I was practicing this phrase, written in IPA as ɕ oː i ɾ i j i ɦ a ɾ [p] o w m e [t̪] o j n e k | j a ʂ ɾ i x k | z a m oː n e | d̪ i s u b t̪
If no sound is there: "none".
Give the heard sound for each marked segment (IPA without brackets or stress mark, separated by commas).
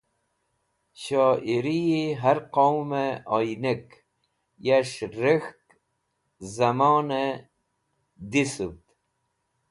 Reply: q, none